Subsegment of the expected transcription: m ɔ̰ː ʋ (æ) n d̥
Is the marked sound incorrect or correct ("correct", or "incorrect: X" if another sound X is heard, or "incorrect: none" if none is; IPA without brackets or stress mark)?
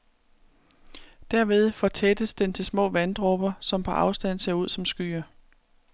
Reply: correct